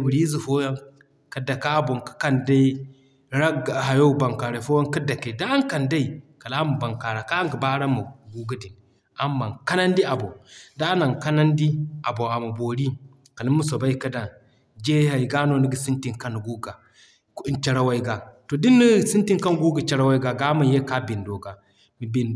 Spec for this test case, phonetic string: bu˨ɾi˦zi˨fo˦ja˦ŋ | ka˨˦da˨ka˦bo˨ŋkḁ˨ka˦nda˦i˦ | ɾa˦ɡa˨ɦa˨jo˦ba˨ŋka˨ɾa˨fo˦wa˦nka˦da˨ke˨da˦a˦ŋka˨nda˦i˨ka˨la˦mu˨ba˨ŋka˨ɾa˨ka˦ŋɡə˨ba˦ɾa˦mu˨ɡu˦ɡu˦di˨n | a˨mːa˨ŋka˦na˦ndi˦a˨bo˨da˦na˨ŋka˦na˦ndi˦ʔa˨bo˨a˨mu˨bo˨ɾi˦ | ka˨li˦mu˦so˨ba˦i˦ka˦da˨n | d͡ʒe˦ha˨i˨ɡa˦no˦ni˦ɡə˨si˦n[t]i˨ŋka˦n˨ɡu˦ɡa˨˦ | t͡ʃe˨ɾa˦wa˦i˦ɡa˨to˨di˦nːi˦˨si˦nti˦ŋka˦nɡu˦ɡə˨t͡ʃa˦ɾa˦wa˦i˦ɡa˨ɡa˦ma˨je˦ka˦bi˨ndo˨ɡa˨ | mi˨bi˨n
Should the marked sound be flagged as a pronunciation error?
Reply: no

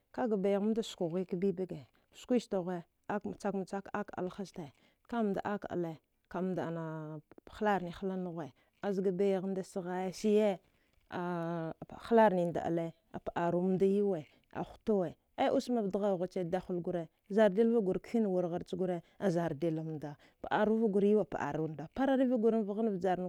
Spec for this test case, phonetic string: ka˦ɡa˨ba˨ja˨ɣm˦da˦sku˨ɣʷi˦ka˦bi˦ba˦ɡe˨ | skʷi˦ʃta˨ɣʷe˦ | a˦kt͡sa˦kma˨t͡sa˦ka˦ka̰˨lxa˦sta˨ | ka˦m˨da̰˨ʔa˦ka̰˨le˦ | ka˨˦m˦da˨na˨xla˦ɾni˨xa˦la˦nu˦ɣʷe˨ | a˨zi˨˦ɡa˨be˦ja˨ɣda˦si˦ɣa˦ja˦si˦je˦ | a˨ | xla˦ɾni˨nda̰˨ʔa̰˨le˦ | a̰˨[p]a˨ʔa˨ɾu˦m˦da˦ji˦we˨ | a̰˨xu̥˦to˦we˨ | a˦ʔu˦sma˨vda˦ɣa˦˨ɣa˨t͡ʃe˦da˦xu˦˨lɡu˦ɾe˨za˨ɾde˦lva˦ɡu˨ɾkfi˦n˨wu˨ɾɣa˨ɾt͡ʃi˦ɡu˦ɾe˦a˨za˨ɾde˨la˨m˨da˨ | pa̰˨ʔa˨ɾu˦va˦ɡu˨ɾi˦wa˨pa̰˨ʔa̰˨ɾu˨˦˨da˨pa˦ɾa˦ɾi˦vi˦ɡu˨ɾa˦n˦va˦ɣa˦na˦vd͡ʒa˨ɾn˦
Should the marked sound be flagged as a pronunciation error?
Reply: no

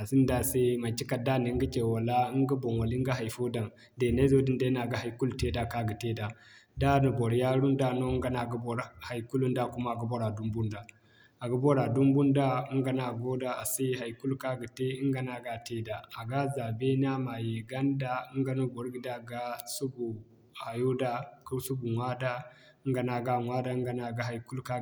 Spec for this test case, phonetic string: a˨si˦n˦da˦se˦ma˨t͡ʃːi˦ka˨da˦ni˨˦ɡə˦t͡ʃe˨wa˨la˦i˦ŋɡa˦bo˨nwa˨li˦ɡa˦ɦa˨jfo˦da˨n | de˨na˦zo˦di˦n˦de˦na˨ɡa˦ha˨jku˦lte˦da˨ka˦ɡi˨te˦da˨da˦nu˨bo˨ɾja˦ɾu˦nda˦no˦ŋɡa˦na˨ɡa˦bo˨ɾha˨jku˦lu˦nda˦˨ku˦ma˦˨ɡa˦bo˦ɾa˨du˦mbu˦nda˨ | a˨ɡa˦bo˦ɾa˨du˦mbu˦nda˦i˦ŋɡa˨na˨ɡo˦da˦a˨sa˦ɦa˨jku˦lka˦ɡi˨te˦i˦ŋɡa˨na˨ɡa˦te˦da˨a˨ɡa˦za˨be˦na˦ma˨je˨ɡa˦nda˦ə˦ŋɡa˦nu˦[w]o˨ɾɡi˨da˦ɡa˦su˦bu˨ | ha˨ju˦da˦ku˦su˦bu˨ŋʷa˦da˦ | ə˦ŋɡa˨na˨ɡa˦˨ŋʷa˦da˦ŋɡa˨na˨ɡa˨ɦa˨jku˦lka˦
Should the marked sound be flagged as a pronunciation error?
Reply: yes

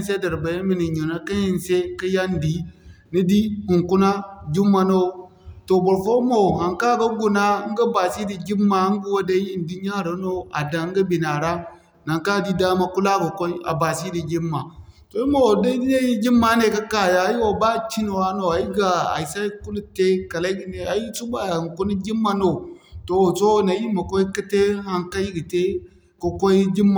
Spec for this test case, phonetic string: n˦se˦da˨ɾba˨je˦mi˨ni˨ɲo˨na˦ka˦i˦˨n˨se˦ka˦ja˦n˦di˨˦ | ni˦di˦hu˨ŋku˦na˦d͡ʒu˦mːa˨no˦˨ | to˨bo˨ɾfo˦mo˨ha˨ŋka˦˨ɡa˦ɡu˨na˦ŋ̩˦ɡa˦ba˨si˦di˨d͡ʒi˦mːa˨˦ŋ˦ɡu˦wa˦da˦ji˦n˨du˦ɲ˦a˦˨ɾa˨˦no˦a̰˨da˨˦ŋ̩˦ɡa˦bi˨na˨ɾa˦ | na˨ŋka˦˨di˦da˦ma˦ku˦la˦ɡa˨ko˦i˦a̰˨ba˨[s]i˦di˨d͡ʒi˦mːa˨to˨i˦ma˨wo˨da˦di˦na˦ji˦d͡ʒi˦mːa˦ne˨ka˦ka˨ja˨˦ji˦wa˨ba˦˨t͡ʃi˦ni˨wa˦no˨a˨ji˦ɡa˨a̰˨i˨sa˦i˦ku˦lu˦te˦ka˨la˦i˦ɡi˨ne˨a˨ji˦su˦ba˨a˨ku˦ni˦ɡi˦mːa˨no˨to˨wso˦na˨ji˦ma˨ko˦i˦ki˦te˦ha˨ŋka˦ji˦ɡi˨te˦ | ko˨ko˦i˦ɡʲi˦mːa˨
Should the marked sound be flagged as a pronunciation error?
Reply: no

